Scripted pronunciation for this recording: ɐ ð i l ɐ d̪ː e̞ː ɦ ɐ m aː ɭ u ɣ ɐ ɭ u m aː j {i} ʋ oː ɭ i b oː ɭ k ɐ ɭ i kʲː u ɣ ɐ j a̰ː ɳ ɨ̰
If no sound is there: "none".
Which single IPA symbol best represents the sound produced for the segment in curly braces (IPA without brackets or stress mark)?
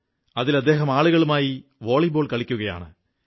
i